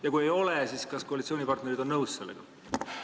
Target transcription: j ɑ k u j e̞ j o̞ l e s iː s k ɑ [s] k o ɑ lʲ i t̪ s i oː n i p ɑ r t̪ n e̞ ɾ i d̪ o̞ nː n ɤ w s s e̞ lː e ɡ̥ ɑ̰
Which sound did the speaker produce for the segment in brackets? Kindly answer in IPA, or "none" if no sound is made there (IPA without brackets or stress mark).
s